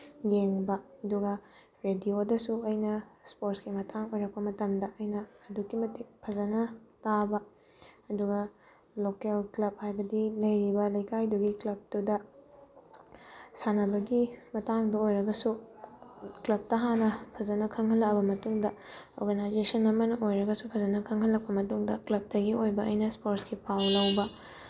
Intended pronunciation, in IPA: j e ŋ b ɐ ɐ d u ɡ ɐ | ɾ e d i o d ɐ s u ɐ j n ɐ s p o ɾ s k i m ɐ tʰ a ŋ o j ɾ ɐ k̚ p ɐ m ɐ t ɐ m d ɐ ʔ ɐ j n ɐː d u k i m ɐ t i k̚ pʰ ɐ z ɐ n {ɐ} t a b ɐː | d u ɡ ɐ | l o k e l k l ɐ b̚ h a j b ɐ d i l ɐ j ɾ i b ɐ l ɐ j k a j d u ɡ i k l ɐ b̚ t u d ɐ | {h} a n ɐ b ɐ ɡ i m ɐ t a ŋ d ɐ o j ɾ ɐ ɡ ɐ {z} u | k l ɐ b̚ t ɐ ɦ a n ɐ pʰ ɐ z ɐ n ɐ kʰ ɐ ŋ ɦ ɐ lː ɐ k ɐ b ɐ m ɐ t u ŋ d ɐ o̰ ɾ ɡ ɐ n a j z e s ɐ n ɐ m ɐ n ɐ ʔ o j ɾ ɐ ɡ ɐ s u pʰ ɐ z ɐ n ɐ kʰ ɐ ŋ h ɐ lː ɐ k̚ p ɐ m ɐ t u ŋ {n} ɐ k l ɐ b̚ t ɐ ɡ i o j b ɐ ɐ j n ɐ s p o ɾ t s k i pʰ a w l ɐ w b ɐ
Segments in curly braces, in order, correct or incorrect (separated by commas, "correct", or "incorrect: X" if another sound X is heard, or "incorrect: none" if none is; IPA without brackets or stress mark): correct, incorrect: s, incorrect: s, incorrect: d